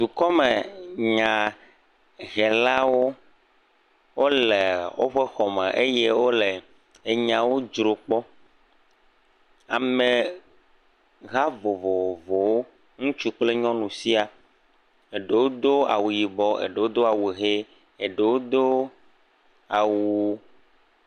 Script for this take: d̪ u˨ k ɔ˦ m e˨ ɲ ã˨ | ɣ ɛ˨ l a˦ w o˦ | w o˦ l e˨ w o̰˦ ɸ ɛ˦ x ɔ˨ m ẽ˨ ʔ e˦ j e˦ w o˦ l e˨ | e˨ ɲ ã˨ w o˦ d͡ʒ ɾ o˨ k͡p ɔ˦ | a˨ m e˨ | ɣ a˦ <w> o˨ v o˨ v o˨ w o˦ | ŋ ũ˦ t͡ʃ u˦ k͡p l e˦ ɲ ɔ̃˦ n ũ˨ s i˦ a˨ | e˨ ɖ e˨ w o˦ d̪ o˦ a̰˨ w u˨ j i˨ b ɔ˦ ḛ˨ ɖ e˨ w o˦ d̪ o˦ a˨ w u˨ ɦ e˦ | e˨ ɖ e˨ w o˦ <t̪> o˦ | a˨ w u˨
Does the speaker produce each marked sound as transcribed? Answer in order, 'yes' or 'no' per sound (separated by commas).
no, no